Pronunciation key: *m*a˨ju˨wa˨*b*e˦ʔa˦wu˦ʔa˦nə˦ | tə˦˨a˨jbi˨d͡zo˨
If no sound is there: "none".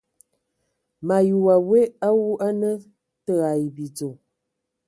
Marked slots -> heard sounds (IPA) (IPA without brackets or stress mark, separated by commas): m, w